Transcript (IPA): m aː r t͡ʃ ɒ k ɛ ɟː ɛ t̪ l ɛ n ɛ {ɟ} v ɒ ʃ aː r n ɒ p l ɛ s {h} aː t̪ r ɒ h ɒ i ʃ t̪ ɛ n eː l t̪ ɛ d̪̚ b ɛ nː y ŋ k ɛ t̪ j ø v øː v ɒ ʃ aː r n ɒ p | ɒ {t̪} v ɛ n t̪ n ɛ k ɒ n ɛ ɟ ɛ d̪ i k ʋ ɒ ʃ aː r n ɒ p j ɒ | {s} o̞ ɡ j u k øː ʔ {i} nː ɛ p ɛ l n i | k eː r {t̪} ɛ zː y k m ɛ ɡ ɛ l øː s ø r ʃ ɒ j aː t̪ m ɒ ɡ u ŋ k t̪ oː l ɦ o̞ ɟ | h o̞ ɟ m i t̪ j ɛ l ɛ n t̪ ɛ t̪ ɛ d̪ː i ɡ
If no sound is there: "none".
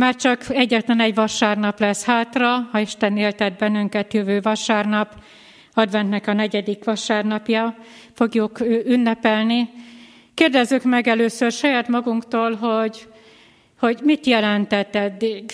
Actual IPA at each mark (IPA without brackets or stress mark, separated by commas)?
ɟ, h, d̪, f, y, d̪